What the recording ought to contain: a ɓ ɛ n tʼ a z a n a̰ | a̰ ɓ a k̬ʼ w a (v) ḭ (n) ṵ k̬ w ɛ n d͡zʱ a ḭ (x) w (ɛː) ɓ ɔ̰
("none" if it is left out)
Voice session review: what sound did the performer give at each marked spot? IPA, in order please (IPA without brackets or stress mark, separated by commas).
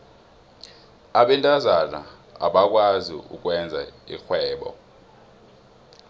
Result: z, none, x, ɛː